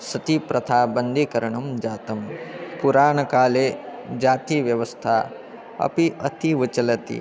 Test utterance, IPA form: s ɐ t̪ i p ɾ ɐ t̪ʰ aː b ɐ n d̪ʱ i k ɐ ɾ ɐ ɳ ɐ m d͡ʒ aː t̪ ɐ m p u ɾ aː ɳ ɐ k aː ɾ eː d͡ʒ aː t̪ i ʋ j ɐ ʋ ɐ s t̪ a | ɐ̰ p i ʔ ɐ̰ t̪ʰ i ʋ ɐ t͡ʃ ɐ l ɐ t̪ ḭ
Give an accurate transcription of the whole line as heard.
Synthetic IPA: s ɐ t̪ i p ɾ ɐ t̪ʰ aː b ɐ n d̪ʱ i k ɐ ɾ ɐ ɳ ɐ m d͡ʒ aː t̪ ɐ m p u ɾ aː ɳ ɐ k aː l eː d͡ʒ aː t̪ i ʋ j ɐ ʋ ɐ s t̪ʰ a | ɐ̰ p i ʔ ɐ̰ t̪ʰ i ʋ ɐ t͡ʃ ɐ l ɐ t̪ ḭ